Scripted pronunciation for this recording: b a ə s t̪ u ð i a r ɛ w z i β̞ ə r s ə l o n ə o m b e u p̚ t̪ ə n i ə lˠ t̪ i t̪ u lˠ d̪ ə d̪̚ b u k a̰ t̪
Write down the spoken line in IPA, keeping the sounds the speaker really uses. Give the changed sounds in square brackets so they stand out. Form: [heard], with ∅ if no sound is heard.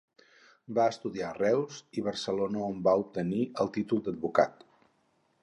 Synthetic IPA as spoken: b a ə s t̪ u ð i a r ɛ w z i β̞ ə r s ə l o n ə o m b [a] u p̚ t̪ ə n i ə lˠ t̪ i t̪ u lˠ d̪ ə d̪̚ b u k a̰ t̪